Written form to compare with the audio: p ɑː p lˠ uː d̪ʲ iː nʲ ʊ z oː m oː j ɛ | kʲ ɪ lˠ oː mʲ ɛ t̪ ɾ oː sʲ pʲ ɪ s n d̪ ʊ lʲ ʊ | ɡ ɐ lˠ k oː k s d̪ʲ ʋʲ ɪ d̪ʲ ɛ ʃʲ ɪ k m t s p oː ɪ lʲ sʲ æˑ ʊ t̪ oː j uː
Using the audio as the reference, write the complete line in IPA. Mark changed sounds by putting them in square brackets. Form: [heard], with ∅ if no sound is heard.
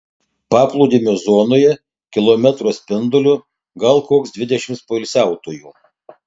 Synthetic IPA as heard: p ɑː p lˠ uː d̪ʲ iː [mʲ] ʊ z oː [n] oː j ɛ | kʲ ɪ lˠ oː mʲ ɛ t̪ ɾ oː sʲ pʲ ɪ [∅] n d̪ ʊ lʲ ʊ | ɡ ɐ lˠ k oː k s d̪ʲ ʋʲ ɪ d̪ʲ ɛ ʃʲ ɪ [∅] m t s p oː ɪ lʲ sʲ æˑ ʊ t̪ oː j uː